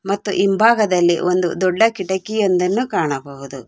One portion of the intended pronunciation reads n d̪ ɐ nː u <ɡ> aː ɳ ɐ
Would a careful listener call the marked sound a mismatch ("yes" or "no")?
yes